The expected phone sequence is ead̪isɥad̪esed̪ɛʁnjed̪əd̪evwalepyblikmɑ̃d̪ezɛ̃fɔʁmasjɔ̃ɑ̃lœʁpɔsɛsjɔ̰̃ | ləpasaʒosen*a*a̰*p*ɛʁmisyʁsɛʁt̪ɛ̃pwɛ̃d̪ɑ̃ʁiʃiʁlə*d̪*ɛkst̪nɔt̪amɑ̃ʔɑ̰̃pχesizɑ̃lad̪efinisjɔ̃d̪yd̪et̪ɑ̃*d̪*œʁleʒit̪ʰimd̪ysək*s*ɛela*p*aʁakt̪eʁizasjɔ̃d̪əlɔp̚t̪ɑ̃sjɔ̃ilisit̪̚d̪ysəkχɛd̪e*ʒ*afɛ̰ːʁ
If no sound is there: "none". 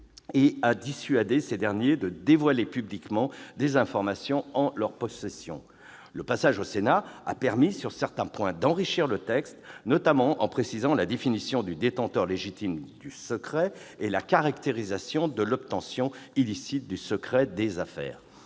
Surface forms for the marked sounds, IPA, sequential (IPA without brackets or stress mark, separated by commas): a, p, t̪, t̪, χ, k, z